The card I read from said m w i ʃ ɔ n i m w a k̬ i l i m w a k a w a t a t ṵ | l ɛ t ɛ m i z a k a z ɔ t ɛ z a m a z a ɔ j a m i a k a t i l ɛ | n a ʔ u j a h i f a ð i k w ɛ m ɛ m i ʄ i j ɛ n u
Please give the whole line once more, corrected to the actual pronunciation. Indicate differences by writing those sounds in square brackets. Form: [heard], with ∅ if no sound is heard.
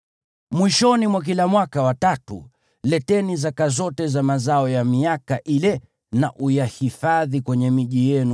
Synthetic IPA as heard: m w i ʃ ɔ n i m w a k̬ i l [a] m w a k a w a t a t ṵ | l ɛ t ɛ [n] i z a k a z ɔ t ɛ z a m a z a ɔ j a m i a k a [ʔ] i l ɛ | n a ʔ u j a h i f a ð i k w ɛ [ɲ] ɛ m i ʄ i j ɛ n u